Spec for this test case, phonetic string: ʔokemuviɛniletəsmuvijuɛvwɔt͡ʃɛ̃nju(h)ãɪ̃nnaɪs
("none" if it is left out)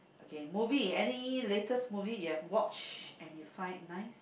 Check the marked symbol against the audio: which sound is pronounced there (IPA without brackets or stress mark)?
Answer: f